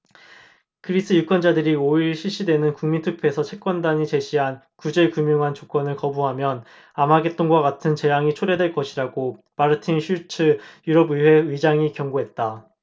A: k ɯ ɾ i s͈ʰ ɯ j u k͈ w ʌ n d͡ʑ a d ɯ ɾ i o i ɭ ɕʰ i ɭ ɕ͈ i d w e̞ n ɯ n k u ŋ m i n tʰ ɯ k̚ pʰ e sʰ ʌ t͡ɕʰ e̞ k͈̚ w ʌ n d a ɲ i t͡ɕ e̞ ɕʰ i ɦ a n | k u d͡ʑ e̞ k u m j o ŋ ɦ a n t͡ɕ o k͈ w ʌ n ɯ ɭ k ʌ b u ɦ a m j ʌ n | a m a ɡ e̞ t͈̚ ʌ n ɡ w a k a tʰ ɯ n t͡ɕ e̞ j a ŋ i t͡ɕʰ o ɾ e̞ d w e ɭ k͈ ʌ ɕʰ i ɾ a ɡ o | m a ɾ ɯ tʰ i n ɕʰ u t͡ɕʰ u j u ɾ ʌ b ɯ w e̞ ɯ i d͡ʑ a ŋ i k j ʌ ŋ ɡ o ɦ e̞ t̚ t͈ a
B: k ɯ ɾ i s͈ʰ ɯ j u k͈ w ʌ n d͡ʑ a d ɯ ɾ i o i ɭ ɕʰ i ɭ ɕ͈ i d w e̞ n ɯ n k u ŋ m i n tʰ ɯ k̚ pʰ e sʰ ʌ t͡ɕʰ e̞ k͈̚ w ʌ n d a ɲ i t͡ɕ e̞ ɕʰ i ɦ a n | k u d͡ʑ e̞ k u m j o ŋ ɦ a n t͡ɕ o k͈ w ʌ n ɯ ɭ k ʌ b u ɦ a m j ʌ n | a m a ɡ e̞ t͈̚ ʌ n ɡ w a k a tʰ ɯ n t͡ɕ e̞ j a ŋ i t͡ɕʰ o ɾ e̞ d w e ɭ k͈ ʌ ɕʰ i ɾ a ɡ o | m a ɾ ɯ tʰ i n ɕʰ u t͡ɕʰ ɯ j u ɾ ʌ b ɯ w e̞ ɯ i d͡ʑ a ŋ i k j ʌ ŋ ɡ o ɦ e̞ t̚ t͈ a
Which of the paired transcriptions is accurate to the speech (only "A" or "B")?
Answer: B